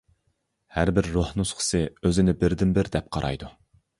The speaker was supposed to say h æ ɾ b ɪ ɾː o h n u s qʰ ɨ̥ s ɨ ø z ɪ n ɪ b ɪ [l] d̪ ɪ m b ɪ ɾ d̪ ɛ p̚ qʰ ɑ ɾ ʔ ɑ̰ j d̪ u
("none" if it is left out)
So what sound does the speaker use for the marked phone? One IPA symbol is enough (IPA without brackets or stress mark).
ɾ